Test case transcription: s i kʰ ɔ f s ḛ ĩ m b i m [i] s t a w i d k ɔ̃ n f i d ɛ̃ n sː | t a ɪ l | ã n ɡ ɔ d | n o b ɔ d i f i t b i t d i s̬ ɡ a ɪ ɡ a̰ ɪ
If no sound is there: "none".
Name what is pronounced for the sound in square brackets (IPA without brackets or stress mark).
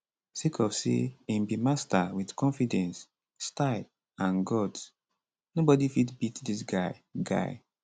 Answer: a